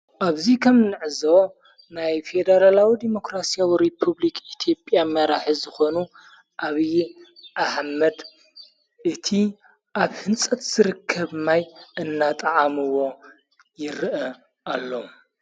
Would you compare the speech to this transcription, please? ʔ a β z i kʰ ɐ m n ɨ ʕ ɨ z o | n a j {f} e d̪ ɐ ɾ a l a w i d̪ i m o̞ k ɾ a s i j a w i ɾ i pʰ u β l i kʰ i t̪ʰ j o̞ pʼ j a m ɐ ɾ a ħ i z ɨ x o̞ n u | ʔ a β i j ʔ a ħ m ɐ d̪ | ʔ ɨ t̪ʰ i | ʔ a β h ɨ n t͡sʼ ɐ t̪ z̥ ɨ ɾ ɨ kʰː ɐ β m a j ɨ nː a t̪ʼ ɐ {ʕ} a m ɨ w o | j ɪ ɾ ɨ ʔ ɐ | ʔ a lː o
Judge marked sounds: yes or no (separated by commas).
yes, yes